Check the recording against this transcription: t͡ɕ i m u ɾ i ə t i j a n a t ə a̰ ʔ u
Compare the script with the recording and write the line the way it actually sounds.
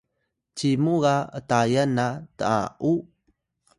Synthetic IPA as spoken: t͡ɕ i m u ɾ a ə t a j a n a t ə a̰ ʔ u